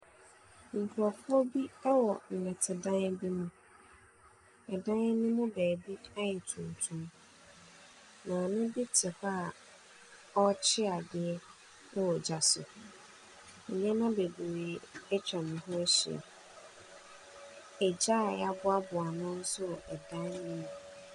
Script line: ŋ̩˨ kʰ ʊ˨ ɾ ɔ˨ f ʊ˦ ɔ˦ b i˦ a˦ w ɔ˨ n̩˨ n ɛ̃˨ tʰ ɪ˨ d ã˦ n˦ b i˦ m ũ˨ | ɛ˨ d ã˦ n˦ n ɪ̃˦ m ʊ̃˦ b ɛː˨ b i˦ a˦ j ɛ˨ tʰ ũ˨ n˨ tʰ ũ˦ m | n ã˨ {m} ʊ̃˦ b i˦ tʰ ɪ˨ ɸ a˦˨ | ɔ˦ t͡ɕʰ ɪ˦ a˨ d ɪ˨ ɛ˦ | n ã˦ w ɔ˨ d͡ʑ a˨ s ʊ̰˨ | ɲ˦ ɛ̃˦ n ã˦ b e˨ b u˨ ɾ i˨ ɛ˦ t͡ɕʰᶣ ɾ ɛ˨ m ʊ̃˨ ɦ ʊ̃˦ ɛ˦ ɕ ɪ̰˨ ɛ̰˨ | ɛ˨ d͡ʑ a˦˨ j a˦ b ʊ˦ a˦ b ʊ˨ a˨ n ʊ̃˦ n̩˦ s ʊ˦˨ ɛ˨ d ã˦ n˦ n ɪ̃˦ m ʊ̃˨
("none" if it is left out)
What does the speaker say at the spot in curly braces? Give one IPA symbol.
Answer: n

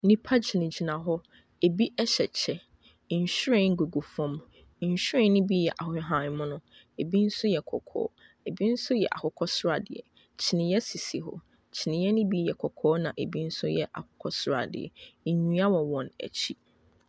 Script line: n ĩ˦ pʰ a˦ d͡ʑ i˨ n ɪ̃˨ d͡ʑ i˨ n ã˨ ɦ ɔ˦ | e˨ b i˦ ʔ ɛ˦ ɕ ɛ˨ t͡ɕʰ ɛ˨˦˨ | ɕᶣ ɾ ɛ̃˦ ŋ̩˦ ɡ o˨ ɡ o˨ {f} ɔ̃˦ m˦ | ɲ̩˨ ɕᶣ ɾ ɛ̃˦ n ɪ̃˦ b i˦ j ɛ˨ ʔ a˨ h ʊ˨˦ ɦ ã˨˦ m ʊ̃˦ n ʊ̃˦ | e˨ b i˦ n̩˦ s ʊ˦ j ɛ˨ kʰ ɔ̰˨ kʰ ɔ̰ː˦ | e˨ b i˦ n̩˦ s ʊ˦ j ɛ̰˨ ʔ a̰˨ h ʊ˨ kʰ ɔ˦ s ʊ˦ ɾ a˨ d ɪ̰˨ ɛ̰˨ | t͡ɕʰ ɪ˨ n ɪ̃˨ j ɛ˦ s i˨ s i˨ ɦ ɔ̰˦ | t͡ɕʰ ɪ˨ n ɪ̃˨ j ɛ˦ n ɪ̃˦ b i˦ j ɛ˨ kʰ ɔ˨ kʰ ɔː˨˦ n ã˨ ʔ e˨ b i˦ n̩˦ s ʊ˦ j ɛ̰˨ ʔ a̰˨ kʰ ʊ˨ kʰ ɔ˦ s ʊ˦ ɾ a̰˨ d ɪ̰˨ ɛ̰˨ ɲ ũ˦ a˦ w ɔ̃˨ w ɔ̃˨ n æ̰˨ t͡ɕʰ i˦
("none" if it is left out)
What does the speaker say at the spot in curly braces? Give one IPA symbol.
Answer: f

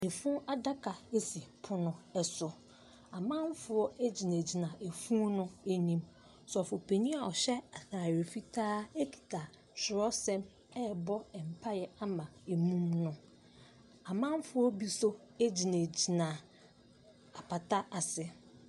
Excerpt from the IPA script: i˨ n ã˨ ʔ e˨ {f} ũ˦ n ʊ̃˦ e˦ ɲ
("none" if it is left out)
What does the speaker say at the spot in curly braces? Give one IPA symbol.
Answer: f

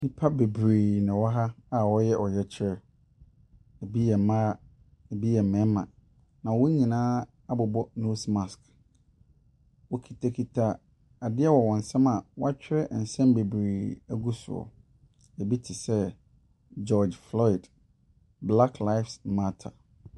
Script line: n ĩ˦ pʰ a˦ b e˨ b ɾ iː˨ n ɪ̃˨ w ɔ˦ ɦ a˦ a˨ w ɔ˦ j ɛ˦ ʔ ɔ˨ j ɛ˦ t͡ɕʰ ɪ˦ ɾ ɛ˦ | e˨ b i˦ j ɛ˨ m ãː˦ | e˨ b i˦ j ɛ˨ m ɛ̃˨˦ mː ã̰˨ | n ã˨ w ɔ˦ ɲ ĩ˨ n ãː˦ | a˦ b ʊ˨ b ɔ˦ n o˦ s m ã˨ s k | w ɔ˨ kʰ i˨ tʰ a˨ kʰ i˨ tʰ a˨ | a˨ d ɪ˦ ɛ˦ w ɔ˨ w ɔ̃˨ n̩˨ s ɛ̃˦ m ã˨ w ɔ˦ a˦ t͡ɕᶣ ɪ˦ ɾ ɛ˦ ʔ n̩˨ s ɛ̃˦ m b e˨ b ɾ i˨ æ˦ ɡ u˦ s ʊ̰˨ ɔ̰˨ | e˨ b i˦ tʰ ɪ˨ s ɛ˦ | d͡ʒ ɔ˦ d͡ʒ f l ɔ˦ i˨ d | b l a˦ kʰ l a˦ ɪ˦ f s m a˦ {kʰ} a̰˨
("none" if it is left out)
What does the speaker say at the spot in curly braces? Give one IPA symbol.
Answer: tʰ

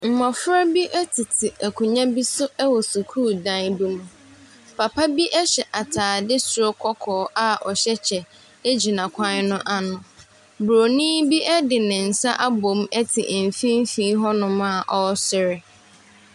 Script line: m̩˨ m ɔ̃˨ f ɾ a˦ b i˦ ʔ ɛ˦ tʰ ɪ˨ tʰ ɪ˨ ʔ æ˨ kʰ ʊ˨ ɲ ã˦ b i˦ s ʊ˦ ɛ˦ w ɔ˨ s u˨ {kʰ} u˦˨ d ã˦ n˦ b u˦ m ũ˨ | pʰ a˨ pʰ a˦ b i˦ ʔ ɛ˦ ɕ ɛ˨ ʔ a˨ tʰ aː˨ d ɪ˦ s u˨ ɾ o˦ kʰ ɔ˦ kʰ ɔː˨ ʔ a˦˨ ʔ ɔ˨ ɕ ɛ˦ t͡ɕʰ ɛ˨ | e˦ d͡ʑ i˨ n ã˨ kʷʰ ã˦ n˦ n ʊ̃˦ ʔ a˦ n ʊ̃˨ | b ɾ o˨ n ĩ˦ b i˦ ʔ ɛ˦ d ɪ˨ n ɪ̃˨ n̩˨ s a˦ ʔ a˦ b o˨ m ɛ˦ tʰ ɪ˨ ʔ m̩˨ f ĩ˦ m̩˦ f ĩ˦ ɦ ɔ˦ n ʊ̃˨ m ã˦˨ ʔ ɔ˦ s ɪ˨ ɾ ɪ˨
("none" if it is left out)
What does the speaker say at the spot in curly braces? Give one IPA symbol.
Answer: kʰ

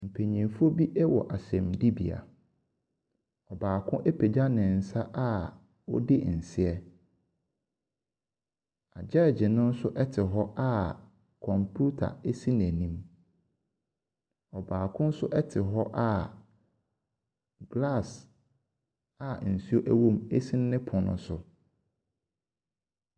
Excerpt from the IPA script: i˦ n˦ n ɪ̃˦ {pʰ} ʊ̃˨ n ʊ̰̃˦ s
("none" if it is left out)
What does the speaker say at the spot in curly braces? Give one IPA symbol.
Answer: pʰ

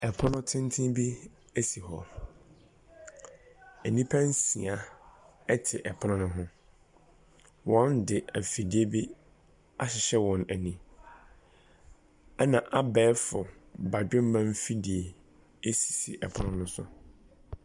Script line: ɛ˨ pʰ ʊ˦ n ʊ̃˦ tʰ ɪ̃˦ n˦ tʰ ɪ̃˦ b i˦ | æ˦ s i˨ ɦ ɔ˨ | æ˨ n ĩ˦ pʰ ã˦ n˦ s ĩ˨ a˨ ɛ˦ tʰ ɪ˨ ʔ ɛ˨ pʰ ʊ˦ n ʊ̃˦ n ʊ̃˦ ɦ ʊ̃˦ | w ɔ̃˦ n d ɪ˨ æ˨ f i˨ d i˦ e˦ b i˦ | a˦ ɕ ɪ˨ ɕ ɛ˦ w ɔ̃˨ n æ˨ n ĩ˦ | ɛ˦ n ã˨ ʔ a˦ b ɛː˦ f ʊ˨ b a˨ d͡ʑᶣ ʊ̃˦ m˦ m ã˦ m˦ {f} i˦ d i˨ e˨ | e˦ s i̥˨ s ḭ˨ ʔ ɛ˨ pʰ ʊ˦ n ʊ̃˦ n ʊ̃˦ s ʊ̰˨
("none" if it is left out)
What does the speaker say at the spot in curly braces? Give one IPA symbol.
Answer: f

